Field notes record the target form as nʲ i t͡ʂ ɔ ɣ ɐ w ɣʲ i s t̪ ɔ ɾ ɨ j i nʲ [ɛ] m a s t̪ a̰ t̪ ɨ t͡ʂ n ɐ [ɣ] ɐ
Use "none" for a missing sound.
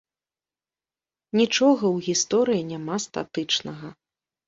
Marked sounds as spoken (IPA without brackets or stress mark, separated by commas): a, ɣ